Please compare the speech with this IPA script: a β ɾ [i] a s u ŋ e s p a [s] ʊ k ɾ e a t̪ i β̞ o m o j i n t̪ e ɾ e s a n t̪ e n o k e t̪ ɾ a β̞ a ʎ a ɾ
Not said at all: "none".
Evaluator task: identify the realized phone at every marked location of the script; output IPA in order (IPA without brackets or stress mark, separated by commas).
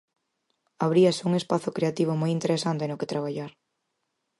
i, θ